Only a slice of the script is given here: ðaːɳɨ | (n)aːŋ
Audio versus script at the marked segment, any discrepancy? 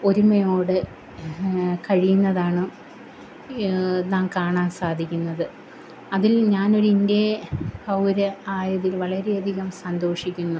no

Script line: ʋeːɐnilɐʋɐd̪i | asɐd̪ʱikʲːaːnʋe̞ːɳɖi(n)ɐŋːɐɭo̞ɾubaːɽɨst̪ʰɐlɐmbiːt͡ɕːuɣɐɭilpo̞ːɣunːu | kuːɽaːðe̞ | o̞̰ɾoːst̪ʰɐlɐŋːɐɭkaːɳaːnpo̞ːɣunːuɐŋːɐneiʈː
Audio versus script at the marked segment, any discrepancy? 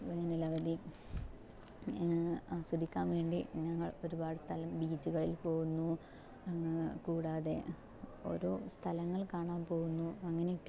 yes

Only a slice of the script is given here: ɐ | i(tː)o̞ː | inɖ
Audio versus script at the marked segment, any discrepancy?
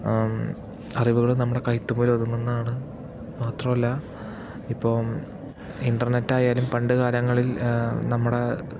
yes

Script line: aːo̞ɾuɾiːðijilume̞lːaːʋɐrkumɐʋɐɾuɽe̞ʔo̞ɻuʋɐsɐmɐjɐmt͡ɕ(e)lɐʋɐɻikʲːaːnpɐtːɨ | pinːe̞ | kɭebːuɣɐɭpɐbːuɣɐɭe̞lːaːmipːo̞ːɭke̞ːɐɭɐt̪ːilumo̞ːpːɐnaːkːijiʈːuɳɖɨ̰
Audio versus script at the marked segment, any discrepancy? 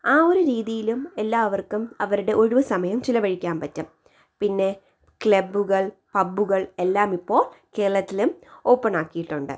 yes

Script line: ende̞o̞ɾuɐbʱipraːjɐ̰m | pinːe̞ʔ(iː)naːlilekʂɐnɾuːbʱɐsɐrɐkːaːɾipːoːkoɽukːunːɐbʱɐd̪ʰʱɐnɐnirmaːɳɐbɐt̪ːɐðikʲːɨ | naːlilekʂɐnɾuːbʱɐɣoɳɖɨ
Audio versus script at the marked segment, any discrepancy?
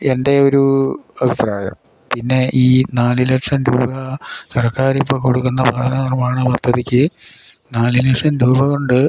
no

